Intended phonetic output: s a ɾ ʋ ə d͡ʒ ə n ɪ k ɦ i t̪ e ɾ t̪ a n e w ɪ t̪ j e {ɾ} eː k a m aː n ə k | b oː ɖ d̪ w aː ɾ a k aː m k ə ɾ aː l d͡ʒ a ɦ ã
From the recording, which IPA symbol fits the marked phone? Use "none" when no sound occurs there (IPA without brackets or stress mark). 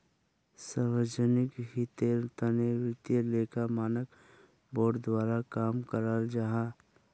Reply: l